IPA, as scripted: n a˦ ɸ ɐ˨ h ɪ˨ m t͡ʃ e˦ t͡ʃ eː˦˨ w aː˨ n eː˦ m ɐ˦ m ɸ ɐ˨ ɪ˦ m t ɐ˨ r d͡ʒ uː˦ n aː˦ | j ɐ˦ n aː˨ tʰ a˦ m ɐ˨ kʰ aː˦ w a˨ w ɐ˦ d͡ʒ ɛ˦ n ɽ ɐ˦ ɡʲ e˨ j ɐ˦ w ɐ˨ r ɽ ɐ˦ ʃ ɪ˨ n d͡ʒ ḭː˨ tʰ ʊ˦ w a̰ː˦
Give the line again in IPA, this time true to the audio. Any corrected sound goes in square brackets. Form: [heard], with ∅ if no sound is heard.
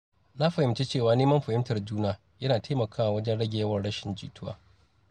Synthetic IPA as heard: n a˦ ɸ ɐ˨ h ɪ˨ m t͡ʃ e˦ t͡ʃ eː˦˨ w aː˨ n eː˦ m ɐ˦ m ɸ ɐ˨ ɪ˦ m t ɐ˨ r d͡ʒ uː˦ n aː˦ | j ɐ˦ n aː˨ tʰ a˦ m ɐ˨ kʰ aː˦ w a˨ w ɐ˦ d͡ʒ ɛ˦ n ɽ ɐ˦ ɡʲ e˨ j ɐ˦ w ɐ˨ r ɽ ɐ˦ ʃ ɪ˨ n d͡ʒ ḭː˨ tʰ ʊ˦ w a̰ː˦